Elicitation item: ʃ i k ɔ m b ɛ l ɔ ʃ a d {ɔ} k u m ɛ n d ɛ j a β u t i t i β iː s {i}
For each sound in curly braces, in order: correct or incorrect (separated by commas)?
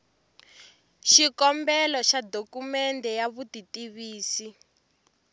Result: incorrect, correct